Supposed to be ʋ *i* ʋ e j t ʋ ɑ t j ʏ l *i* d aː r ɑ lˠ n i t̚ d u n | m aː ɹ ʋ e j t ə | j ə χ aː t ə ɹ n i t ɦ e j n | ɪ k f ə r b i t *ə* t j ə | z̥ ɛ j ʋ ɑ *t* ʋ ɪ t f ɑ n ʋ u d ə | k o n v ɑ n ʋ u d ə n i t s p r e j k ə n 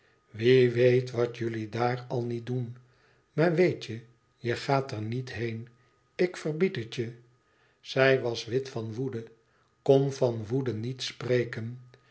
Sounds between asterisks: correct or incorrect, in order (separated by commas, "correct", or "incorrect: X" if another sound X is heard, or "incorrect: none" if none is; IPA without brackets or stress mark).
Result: correct, correct, correct, incorrect: s